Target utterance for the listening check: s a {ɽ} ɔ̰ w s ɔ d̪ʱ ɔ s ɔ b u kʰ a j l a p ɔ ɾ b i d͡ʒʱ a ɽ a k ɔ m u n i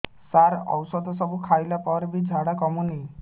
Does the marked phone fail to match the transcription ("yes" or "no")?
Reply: yes